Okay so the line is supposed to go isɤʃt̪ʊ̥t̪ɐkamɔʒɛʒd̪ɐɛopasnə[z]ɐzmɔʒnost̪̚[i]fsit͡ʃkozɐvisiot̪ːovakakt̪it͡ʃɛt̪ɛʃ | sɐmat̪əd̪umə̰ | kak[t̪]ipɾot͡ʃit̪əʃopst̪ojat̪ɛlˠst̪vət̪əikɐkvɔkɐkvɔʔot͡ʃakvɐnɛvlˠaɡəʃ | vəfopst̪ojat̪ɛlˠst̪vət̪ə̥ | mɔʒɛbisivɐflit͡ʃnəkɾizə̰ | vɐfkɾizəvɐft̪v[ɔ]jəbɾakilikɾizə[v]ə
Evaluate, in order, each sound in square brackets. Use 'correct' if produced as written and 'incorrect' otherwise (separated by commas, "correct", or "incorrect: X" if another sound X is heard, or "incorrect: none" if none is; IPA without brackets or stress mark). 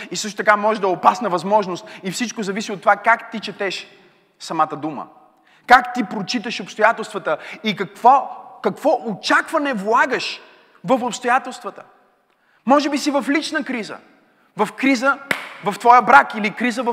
incorrect: v, correct, correct, correct, correct